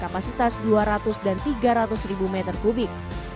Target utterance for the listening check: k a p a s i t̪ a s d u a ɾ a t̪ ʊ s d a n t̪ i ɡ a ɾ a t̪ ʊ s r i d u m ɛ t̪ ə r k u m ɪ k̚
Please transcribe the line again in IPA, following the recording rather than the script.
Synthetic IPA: k a p a s i t̪ a s d u a ɾ a t̪ ʊ s d a n t̪ i ɡ a ɾ a t̪ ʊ s r i b u m ɛ t̪ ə r k u b ɪ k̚